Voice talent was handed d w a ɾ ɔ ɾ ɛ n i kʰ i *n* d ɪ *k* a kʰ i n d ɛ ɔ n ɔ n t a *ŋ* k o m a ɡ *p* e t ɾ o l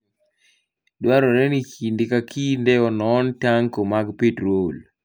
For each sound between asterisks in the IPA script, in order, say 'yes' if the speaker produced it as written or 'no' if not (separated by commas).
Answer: yes, yes, yes, yes